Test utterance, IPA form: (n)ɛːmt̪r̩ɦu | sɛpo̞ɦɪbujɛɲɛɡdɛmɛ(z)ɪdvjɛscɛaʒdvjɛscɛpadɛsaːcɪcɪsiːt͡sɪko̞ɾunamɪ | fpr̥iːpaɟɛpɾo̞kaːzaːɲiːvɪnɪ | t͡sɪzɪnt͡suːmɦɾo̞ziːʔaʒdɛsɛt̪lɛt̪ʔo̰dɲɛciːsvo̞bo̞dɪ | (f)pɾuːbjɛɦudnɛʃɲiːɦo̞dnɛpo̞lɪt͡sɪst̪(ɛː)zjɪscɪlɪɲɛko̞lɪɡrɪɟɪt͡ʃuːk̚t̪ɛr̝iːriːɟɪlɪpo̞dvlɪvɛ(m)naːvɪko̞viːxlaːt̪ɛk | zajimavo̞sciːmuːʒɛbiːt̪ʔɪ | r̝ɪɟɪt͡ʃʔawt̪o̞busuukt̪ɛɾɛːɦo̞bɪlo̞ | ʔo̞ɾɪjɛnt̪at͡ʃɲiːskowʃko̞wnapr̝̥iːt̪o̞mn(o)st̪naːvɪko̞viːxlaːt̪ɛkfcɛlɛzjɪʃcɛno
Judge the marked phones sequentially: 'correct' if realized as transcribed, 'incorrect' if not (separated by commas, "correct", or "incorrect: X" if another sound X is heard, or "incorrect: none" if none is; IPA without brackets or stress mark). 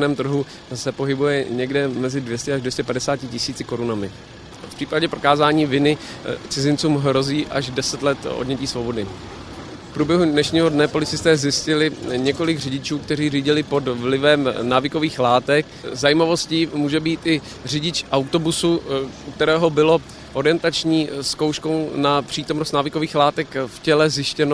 correct, correct, correct, correct, correct, correct